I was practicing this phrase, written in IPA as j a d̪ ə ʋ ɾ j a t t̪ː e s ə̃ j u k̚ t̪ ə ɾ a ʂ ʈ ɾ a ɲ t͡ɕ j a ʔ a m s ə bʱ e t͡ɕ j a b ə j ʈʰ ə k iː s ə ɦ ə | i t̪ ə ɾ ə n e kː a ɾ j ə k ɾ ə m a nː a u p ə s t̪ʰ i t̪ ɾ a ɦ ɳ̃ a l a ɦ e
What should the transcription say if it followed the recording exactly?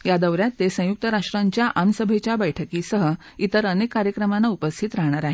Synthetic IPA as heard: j a d̪ ə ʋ ɾ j a t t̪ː e s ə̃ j u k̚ t̪ ə ɾ a ʂ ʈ ɾ a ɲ t͡ɕ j a ʔ a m s ə bʱ e t͡ɕ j a b ə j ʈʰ ə k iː s ə ɦ ə | i t̪ ə ɾ ə n e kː a ɾ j ə k ɾ ə m a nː a u p ə s t̪ʰ i t̪ ɾ a ɦ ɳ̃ a ɾ a ɦ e